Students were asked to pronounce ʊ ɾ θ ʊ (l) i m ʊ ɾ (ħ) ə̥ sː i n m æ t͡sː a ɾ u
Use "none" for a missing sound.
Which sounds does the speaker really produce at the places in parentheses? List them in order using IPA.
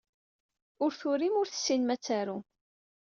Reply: ɾ, θ

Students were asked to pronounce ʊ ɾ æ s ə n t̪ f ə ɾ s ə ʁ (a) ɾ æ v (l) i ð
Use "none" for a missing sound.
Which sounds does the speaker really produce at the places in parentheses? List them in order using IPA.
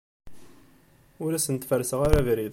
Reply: a, ɾ

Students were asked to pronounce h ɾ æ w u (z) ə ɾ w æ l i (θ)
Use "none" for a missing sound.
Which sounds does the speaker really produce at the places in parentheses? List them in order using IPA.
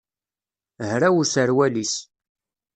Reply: s, s

